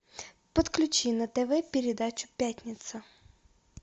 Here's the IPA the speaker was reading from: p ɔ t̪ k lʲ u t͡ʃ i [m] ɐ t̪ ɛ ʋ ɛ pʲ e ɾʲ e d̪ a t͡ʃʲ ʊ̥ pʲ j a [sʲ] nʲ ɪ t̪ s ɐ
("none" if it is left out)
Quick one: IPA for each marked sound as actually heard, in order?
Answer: n, tʲ

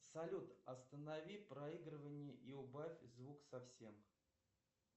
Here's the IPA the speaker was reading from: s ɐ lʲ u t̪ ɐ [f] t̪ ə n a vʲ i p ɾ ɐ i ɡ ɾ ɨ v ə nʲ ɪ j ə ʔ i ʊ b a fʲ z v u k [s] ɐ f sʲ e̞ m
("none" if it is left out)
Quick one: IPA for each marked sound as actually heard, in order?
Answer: s, s

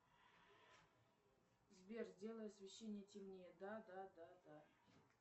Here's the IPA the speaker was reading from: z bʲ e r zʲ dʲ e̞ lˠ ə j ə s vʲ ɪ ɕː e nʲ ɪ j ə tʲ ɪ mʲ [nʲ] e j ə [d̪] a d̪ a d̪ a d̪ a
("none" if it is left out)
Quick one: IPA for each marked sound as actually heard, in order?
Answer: nʲ, d̪

